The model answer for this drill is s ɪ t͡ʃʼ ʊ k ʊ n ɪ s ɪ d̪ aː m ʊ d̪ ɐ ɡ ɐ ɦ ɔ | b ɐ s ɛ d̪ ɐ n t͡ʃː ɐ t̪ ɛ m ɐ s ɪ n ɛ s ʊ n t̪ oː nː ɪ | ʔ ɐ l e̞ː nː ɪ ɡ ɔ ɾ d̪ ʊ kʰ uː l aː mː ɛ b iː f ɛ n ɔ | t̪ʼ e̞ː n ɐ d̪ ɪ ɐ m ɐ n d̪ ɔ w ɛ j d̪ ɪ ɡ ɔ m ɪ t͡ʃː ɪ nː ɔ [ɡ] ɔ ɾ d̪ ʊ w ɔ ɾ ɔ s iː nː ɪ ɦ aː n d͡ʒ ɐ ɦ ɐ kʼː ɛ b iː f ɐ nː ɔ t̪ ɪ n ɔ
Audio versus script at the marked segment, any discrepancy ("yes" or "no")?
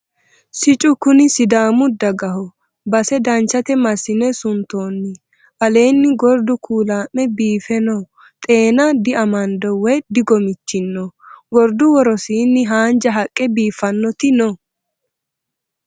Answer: no